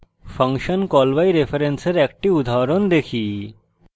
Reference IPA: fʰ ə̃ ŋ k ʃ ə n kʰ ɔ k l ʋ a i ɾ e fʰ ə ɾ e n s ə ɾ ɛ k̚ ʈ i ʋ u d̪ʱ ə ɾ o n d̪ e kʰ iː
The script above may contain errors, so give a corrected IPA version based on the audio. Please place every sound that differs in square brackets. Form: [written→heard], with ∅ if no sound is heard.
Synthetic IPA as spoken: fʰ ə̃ ŋ k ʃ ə n [kʰ→k] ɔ [k→∅] l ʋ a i ɾ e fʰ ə ɾ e n s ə ɾ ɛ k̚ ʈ i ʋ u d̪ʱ [ə→a] ɾ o n d̪ e kʰ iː